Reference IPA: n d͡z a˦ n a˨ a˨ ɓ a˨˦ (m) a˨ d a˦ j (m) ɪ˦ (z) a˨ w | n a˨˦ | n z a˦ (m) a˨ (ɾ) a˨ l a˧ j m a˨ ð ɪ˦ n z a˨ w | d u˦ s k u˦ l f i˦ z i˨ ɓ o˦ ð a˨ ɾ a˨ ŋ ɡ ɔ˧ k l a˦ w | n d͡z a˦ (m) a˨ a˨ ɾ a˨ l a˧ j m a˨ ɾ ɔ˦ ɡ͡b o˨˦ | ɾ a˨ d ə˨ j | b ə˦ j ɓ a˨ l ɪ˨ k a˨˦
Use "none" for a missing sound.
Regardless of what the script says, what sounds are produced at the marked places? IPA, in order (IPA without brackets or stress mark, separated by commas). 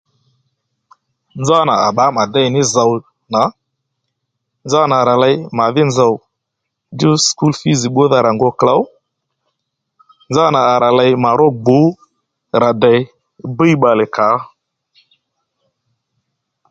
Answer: m, n, z, n, ɾ, n